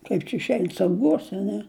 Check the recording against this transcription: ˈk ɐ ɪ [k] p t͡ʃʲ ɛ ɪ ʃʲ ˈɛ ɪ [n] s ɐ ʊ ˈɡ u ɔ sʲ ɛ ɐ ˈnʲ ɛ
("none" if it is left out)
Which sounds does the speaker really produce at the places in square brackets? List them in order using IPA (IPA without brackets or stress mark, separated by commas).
none, n